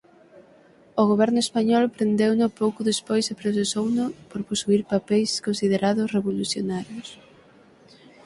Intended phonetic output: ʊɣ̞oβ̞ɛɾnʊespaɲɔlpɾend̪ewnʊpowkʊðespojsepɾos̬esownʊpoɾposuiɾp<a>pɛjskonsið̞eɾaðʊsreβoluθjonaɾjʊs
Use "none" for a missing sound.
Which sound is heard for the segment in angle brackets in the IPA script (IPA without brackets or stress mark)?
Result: a